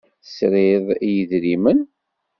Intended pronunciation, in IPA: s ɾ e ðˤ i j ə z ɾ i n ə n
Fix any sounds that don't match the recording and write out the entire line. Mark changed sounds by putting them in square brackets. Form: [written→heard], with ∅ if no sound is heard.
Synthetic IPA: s ɾ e ðˤ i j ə [z→ð] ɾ i [n→m] ə n